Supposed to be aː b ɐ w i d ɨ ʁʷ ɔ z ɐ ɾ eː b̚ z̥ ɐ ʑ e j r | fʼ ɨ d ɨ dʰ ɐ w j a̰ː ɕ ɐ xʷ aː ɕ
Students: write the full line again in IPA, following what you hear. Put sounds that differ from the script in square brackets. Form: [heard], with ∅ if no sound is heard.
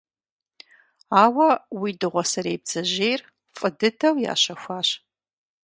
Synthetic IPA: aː [w] ɐ w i d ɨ ʁʷ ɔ [s] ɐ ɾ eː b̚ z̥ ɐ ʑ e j r | fʼ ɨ d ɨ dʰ ɐ w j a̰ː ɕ ɐ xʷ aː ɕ